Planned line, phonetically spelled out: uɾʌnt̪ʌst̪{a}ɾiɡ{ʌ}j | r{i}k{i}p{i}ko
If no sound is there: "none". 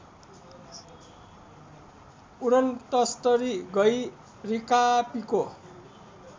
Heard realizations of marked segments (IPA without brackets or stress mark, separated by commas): ʌ, ʌ, i, a, i